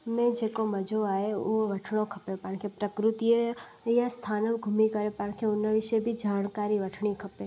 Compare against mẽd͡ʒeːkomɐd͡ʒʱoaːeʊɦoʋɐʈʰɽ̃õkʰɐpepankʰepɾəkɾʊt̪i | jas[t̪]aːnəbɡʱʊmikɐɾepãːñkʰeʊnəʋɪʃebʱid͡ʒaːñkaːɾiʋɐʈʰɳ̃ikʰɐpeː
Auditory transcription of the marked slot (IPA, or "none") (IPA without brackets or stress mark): t̪ʰ